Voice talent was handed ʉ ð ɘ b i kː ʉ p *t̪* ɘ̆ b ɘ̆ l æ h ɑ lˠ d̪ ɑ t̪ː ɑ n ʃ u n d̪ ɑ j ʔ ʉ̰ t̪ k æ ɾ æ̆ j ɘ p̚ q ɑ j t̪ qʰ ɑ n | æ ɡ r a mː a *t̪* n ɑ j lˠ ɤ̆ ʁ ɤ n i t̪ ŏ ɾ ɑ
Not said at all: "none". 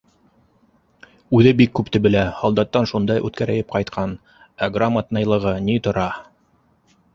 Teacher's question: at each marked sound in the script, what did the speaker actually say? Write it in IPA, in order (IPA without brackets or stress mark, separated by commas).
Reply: t̪, t̪